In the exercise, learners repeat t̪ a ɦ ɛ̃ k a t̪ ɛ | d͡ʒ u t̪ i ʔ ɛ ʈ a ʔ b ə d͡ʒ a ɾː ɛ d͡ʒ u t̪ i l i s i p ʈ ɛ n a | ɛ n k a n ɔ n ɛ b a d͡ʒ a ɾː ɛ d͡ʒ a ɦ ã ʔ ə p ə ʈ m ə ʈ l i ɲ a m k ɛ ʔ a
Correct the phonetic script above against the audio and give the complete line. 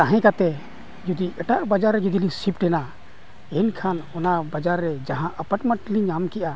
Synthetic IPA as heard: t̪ a ɦ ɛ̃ k a t̪ ɛ | d͡ʒ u d̪ i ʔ ɛ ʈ a ʔ b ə d͡ʒ a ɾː ɛ d͡ʒ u d̪ i l i s i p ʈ ɛ n a | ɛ n kʰ a n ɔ n a b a d͡ʒ a ɾː ɛ d͡ʒ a ɦ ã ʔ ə p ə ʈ m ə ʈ l i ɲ a m k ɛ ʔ a